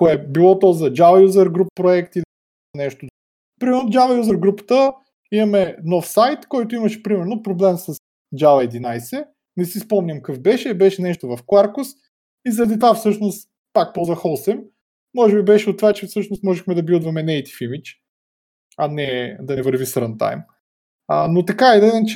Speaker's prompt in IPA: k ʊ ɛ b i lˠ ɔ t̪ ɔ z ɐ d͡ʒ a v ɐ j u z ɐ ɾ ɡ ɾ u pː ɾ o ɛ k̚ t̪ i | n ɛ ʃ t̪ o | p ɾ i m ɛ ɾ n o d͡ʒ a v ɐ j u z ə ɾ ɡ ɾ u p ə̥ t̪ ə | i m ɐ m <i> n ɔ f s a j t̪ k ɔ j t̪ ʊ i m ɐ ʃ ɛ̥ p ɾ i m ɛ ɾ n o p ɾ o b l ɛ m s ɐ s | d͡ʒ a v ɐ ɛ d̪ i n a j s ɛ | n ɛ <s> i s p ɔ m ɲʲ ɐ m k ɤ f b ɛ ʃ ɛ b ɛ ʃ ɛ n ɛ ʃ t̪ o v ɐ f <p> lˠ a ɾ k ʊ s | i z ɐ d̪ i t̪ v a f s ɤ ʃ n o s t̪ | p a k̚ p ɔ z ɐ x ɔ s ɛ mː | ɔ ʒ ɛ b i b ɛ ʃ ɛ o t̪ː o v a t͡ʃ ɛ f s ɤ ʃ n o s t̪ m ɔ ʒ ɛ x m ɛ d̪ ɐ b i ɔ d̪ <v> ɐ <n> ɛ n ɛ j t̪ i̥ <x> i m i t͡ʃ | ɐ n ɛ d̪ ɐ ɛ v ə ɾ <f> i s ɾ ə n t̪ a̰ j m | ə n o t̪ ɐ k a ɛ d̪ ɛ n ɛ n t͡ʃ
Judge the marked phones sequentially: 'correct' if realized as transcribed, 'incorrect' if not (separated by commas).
incorrect, correct, incorrect, correct, incorrect, incorrect, incorrect